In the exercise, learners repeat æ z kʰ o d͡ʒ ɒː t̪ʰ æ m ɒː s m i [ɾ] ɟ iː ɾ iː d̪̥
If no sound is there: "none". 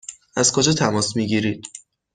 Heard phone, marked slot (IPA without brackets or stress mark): none